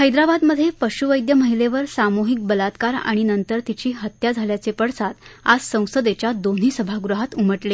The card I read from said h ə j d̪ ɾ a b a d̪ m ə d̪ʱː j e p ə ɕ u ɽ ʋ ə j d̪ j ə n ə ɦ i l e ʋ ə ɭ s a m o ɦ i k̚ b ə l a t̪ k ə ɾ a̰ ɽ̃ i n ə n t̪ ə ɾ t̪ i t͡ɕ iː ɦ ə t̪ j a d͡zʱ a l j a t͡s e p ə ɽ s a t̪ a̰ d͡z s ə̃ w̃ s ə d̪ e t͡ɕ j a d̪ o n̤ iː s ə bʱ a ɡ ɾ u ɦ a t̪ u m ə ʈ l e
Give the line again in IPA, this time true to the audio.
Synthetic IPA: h ə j d̪ ɾ a b a d̪ m ə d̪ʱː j e p ə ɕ u ʋ ə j d̪ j ə m ə ɦ i l e ʋ ə ɾ s a m o ɦ i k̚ b ə l a t̪ k a ɾ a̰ ɽ̃ i n ə n t̪ ə ɾ t̪ i t͡ɕ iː ɦ ə t̪ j a d͡zʱ a l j a t͡s e p ə ɽ s a t̪ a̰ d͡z s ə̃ w̃ s ə d̪ e t͡ɕ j a d̪ o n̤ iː s ə bʱ a ɡ ɾ u ɦ a t̪ u m ə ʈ l e